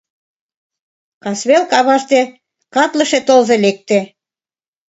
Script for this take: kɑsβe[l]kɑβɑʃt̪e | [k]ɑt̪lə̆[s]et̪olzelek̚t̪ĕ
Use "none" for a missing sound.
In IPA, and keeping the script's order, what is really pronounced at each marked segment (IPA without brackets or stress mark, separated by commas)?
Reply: l, k, ʃ